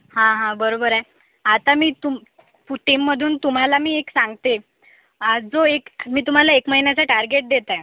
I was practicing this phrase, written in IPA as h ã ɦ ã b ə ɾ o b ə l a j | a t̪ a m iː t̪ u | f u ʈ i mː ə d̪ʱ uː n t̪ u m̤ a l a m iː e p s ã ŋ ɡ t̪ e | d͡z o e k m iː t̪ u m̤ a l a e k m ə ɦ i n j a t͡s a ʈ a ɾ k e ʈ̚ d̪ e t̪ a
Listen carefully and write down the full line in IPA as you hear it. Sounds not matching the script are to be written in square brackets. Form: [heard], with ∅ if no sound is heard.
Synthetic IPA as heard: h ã ɦ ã b ə ɾ o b ə [ɾ] a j | a t̪ a m iː t̪ u | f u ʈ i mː ə d̪ʱ uː n t̪ u m̤ a l a m iː e [k] s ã ŋ ɡ t̪ e | d͡z o e k m iː t̪ u m̤ a l a e k m ə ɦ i n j a t͡s a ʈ a ɾ [ɡ] e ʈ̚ d̪ e t̪ a